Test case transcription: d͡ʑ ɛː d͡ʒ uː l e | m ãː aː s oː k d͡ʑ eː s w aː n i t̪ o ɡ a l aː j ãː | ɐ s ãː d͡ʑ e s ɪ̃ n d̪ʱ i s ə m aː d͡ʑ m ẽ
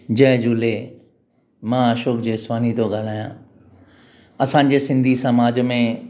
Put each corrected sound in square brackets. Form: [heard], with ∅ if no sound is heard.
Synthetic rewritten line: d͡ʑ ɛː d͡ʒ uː l e | m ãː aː [ʃ] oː k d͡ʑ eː s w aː n i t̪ o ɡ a l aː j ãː | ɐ s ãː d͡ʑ e s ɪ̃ n d̪ʱ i s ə m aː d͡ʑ m ẽ